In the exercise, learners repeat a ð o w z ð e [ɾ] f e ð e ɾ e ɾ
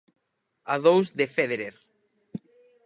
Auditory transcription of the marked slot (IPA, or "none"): none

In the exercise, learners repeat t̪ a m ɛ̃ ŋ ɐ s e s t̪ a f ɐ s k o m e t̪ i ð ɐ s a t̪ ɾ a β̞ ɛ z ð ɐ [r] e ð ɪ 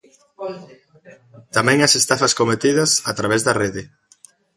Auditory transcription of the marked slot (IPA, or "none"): r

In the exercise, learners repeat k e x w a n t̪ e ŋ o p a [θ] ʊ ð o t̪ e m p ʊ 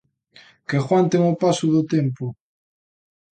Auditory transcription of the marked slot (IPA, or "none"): s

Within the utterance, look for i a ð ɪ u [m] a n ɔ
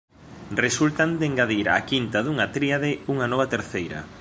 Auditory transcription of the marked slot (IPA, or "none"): ŋ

